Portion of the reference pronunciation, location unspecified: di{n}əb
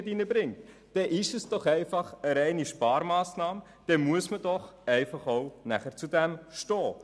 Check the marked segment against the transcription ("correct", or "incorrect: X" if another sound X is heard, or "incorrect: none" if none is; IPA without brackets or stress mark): correct